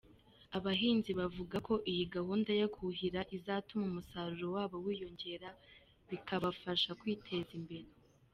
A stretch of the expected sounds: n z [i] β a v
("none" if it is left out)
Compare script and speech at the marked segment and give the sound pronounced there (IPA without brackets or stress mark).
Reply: i